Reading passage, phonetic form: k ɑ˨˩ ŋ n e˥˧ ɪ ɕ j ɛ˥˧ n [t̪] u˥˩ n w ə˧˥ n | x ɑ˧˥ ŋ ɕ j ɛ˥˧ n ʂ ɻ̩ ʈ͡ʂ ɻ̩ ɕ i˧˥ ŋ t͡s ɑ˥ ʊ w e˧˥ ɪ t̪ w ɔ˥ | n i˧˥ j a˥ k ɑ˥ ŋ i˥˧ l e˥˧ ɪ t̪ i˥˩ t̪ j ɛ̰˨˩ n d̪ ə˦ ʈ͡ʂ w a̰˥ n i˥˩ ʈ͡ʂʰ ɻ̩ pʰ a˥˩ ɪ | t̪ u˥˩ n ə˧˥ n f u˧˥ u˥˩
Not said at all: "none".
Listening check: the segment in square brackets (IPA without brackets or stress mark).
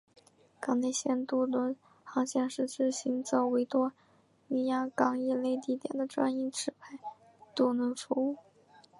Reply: t̪